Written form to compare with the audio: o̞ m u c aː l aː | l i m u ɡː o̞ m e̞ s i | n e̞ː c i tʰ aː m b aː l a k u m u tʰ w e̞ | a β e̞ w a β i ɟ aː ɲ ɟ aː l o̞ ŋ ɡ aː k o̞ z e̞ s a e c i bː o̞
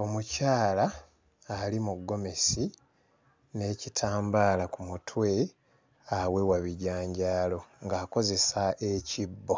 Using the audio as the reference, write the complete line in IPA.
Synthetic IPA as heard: o̞ m u c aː l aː | l i m u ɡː o̞ m e̞ s i | n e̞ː c i tʰ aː m b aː l a k u m u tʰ w e̞ | a w e̞ w a β i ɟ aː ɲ ɟ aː l o̞ ŋ ɡ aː k o̞ z e̞ s a e c i bː o̞